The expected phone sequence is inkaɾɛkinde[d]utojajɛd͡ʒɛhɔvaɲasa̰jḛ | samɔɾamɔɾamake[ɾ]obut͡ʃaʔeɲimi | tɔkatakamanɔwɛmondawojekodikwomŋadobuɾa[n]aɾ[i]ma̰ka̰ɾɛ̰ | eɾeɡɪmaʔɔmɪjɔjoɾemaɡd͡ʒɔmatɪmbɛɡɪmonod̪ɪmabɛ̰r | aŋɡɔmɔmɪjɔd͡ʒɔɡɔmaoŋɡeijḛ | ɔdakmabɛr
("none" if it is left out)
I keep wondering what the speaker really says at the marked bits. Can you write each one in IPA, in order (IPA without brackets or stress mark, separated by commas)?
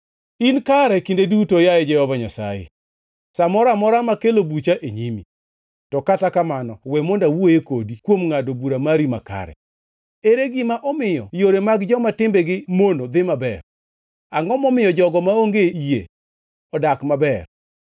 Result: d, l, m, i